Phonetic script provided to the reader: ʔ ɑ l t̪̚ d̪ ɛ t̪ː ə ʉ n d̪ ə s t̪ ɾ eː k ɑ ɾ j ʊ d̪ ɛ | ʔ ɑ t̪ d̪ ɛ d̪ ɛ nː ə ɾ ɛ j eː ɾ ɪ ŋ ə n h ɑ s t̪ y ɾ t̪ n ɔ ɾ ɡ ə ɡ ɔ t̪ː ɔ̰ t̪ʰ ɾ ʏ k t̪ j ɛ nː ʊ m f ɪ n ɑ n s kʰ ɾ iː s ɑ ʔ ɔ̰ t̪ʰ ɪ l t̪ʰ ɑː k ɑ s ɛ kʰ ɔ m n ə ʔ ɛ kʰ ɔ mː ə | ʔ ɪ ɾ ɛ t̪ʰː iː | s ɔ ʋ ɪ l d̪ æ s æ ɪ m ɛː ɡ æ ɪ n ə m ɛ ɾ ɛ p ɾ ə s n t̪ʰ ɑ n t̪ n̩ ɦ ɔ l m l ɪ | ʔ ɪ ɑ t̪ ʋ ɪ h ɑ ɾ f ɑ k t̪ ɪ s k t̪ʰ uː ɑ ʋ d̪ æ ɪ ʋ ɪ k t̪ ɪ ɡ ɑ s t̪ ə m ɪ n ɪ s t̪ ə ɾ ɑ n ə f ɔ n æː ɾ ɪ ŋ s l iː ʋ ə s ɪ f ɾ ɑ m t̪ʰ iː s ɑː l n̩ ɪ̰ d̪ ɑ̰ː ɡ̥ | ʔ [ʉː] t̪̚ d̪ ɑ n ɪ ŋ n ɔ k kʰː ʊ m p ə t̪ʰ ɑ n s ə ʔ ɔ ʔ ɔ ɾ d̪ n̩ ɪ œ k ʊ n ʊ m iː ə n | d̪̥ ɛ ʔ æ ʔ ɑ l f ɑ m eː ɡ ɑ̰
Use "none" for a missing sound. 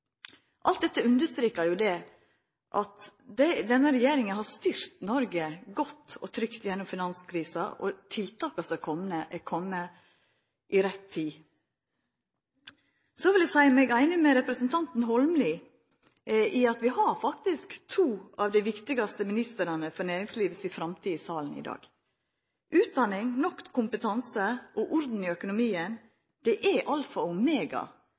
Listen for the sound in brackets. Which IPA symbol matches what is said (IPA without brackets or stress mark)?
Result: ʉː